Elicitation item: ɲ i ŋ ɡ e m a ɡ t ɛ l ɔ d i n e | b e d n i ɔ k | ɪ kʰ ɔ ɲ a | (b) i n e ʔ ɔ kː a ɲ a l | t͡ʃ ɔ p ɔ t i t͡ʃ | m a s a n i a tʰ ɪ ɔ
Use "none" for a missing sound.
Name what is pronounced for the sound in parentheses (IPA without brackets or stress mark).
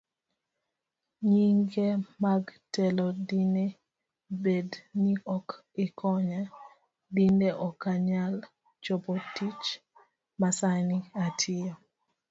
d